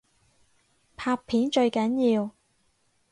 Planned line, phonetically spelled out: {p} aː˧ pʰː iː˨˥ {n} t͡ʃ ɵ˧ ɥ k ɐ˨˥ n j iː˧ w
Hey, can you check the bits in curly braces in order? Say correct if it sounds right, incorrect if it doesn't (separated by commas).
incorrect, correct